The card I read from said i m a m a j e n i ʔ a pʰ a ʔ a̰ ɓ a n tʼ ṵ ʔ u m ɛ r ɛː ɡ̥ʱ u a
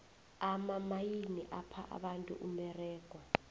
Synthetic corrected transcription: a m a m a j i n i ʔ a pʰ a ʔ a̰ ɓ a n tʼ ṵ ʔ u m ɛ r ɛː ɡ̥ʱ w a